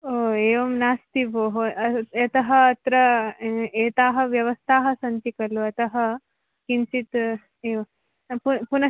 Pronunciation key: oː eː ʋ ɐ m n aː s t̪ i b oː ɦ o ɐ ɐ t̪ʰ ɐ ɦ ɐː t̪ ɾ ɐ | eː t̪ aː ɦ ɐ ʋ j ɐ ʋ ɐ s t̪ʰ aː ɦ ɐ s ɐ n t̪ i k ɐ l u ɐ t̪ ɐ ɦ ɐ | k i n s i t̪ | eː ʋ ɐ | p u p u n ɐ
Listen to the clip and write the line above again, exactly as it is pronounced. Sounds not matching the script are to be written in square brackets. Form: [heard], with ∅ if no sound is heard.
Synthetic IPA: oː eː ʋ ɐ m n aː s t̪ i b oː ɦ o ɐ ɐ [t̪] ɐ ɦ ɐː t̪ ɾ ɐ | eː t̪ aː ɦ ɐ ʋ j ɐ ʋ ɐ s t̪ʰ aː ɦ ɐ s ɐ n t̪ i k ɐ l u ɐ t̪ ɐ ɦ ɐ | k i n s i t̪ | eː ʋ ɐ | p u p u n ɐ